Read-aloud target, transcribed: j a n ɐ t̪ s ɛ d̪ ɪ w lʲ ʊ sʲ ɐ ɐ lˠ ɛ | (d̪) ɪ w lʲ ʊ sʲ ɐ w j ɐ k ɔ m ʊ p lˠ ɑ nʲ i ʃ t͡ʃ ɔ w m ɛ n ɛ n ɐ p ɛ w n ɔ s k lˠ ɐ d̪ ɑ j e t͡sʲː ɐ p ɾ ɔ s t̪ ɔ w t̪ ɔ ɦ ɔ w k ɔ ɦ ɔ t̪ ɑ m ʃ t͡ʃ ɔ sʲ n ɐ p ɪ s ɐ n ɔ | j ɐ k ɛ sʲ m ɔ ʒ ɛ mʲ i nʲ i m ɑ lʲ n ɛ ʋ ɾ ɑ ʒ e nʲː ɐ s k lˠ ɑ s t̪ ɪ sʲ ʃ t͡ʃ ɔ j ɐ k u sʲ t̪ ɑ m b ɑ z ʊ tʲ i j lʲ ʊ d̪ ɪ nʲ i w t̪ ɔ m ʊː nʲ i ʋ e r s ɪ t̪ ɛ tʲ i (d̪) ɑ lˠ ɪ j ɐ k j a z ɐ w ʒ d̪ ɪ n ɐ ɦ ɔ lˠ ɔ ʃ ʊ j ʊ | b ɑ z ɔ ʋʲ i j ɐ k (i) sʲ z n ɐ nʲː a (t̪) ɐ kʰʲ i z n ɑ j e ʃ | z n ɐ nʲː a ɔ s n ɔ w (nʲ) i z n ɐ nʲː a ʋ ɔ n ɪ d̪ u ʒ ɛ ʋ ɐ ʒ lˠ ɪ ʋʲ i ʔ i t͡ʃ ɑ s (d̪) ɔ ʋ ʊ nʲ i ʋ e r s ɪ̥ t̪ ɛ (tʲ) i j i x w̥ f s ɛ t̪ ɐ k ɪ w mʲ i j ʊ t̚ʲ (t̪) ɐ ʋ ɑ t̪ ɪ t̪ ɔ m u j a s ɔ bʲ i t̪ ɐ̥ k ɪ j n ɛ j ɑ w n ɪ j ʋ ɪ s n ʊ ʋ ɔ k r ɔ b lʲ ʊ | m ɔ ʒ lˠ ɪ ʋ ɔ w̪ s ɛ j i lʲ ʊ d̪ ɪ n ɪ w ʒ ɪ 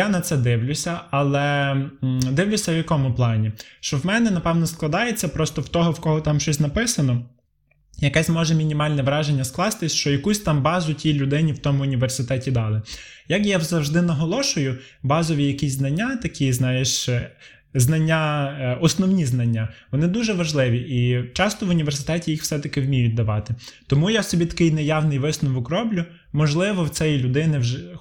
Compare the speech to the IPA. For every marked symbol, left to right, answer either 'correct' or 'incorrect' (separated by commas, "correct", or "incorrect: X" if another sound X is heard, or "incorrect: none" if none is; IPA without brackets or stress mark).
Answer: correct, correct, correct, correct, correct, incorrect: t̪, correct, incorrect: d̪